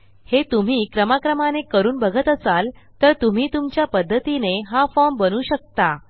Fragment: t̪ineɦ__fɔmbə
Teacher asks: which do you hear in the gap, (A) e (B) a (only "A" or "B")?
B